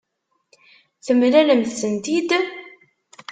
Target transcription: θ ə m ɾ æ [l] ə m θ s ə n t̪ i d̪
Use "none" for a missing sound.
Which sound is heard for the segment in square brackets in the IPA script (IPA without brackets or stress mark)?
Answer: l